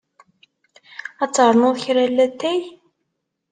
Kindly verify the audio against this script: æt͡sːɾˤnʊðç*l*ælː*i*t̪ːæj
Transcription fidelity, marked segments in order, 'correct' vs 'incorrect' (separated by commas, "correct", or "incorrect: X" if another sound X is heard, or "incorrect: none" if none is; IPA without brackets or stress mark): incorrect: ɾ, incorrect: æ